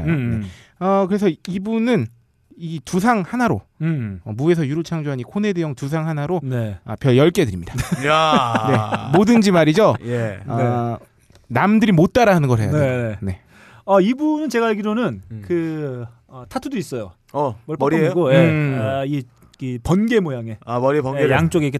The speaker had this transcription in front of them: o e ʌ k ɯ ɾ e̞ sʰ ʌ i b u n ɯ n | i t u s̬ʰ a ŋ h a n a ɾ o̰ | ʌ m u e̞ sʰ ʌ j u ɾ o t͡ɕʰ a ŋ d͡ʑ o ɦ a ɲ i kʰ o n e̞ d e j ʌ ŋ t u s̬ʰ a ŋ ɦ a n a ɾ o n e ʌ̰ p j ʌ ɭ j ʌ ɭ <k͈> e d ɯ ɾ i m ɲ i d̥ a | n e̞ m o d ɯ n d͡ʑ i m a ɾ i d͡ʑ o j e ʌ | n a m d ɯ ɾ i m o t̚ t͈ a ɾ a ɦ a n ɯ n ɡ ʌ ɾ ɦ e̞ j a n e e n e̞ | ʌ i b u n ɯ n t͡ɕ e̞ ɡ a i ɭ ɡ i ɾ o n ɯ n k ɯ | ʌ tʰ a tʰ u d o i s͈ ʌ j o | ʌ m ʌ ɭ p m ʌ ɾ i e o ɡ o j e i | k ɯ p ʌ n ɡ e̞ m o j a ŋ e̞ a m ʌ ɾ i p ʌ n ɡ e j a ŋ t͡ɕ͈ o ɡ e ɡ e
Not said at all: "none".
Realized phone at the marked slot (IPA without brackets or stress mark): k͈